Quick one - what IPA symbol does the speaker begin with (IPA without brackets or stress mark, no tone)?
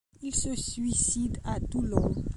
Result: i